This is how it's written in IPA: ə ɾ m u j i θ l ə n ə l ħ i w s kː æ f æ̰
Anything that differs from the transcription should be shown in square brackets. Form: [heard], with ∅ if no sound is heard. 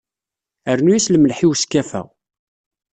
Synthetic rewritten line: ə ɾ [n] u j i [s] l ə [m] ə l ħ i w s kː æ f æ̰

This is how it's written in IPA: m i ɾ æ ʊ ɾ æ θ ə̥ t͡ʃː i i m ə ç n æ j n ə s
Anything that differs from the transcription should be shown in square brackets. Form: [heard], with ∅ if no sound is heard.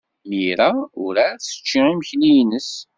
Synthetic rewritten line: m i ɾ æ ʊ ɾ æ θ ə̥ t͡ʃː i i m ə ç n [i] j n ə s

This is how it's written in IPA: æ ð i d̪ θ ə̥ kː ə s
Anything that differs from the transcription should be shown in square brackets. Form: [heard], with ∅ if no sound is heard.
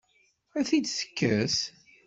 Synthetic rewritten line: æ [θ] i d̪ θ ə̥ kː ə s

